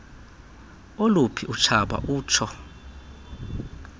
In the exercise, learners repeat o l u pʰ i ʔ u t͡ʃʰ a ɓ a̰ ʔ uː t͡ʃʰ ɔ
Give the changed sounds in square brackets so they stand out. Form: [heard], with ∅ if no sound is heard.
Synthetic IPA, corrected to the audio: o l u pʰ i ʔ u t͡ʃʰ a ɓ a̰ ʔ uː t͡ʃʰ ɔ